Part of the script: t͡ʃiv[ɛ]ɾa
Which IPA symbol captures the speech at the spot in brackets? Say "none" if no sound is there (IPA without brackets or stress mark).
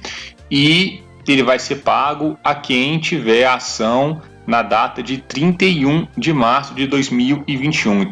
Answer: ɛ